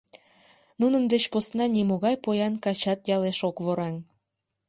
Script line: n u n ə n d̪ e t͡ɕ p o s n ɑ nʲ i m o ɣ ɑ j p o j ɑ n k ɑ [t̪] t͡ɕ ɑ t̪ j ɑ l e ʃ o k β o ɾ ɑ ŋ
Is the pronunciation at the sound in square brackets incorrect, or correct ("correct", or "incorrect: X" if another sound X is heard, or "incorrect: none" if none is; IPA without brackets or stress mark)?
incorrect: none